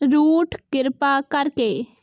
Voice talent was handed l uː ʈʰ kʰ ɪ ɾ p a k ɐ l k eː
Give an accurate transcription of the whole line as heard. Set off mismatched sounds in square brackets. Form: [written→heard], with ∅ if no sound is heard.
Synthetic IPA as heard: [l→ɾ] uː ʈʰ [kʰ→k] ɪ ɾ p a k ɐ [l→ɾ] k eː